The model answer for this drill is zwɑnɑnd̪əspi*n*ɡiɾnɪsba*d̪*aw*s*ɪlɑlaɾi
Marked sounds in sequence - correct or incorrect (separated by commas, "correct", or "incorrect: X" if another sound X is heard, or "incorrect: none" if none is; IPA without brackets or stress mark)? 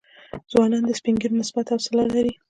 incorrect: ŋ, incorrect: t̪, correct